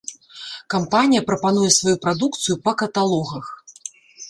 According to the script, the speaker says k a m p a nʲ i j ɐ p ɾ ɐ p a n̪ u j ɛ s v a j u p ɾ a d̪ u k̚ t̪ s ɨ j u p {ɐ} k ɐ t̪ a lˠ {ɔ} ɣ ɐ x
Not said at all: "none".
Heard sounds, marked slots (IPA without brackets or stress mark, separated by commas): ɐ, ɔ